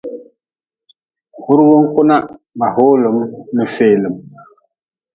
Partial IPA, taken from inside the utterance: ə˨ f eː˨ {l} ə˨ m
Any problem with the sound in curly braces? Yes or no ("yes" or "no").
no